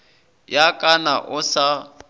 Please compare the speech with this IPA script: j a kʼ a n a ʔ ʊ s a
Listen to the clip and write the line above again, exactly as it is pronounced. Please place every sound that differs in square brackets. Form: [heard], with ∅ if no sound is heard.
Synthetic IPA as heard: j a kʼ a n a ʔ ʊ s a